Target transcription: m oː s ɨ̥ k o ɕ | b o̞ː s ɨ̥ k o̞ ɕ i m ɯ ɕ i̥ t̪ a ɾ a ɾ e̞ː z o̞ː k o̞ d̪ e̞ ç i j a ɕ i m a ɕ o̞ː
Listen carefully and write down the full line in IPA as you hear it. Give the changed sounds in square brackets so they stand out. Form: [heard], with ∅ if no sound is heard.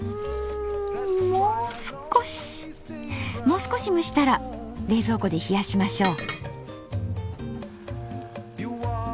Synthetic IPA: m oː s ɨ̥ k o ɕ | [m] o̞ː s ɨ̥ k o̞ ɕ i m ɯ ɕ i̥ t̪ a ɾ a ɾ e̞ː z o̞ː k o̞ d̪ e̞ ç i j a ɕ i m a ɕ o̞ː